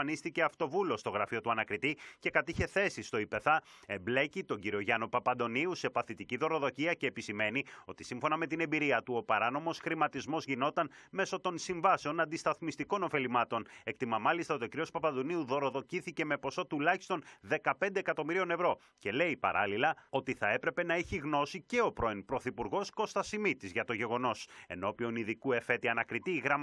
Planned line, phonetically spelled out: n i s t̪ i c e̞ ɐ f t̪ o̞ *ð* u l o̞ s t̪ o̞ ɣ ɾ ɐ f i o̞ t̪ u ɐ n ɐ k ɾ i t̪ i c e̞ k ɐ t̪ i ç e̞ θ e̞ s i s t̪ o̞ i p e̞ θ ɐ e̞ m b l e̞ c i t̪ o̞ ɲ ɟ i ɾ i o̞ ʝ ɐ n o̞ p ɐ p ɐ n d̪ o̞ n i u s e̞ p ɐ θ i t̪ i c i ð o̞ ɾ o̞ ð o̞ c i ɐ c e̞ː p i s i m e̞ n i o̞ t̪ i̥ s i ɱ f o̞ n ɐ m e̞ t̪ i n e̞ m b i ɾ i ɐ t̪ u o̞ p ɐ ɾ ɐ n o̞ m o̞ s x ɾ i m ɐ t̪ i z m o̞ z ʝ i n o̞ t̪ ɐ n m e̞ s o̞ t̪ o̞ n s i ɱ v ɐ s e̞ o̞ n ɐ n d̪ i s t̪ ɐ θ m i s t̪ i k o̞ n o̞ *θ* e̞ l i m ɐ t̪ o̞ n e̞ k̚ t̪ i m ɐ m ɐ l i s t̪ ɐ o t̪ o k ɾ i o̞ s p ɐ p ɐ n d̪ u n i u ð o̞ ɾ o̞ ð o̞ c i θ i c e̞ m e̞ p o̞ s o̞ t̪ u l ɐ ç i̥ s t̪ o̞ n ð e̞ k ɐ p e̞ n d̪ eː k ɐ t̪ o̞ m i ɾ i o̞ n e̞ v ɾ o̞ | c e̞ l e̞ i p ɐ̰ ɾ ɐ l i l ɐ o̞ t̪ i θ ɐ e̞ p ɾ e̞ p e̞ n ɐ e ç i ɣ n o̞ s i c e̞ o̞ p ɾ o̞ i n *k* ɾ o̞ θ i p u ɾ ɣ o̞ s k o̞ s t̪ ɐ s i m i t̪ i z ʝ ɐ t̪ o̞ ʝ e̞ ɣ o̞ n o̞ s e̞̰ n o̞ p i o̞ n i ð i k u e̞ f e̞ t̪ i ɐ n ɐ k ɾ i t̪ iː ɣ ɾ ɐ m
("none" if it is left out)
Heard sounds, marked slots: v, f, p

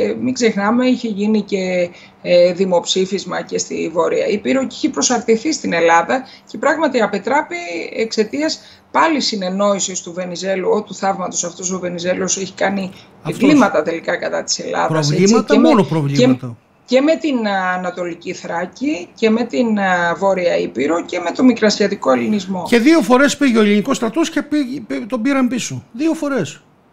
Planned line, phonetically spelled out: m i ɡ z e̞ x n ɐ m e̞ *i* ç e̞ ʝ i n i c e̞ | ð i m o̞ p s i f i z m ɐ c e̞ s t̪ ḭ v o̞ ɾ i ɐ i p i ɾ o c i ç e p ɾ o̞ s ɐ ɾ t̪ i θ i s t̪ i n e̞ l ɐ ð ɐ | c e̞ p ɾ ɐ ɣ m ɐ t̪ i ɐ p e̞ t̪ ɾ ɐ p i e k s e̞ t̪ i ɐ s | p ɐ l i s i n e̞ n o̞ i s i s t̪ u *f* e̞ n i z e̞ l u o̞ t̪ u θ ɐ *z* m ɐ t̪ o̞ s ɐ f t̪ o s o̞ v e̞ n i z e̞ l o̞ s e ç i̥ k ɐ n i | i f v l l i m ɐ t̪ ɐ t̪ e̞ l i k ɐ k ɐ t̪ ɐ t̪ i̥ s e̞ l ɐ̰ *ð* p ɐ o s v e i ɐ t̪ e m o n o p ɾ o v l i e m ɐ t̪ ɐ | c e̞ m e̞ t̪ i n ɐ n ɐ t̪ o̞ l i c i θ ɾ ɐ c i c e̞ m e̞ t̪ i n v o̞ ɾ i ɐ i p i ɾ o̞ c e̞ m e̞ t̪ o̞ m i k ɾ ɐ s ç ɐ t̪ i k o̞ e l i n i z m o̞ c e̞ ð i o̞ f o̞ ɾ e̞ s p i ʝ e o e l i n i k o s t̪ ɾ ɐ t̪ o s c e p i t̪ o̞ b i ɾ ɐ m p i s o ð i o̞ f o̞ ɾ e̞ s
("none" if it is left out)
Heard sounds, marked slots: i, v, v, ð

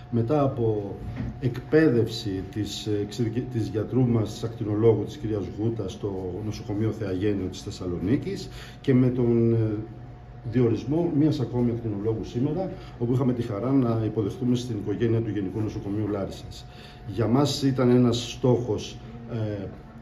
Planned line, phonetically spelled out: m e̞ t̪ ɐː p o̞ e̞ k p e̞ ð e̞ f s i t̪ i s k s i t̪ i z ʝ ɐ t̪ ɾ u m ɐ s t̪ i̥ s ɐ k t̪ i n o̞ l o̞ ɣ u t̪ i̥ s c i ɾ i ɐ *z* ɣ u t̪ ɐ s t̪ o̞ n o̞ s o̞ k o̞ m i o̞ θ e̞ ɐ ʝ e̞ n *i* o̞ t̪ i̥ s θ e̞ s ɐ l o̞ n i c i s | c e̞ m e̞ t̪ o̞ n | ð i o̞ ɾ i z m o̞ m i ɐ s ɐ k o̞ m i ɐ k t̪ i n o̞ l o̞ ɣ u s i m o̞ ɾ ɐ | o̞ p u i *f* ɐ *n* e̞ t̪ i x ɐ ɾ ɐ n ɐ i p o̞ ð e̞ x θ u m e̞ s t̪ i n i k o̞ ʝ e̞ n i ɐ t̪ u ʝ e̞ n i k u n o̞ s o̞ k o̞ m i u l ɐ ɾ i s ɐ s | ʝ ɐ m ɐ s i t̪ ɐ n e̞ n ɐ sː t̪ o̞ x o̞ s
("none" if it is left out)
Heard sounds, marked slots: z, i, x, m

